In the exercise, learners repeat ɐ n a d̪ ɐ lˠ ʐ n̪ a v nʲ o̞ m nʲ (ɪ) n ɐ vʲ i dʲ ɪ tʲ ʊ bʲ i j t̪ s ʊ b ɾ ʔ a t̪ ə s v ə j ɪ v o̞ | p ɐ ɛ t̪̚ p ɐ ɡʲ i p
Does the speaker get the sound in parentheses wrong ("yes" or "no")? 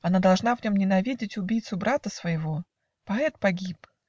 no